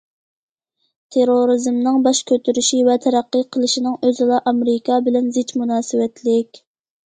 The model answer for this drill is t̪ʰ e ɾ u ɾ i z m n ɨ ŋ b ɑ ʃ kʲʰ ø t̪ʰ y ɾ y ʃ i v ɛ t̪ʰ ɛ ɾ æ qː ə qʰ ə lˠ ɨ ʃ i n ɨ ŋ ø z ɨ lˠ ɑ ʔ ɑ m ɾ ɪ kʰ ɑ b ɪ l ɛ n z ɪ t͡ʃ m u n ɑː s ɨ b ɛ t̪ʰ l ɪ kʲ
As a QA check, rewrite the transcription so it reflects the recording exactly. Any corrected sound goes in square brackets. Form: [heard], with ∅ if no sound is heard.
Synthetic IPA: t̪ʰ e ɾ [o] ɾ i z m n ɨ ŋ b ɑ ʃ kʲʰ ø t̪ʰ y ɾ y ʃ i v ɛ t̪ʰ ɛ ɾ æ qː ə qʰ ə lˠ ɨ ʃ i n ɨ ŋ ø z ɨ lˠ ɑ ʔ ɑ m ɾ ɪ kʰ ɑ b ɪ l ɛ n z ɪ t͡ʃ m u n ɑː s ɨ [w] ɛ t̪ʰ l ɪ kʲ